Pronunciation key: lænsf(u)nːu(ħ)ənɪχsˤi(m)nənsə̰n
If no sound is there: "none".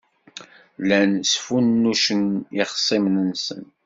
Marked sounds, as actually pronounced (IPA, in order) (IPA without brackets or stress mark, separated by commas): u, ʃ, m